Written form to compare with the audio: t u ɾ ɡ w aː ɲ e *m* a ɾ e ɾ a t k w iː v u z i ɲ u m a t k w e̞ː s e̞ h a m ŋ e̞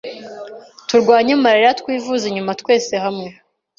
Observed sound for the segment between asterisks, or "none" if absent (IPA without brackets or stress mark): m